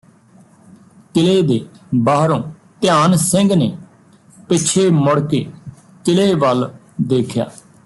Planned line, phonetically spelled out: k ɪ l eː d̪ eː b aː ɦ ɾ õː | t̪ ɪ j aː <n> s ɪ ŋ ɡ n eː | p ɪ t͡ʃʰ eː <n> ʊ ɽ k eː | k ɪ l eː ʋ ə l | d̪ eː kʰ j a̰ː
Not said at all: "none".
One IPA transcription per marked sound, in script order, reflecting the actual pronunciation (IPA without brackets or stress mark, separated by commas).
n, m